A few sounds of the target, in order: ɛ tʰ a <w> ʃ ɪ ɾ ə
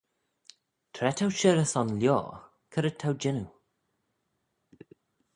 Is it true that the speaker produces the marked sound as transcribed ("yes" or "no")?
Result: yes